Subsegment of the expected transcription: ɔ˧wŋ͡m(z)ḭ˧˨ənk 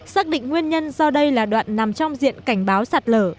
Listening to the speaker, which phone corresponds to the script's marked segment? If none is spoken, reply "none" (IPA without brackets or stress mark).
z